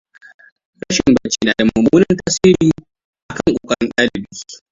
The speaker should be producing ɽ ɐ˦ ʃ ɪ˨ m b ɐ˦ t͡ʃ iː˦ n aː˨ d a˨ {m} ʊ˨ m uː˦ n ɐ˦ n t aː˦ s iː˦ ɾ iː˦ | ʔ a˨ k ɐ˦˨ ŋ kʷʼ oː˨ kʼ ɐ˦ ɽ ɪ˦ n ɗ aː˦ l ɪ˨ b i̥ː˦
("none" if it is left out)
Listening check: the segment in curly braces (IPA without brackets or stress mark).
m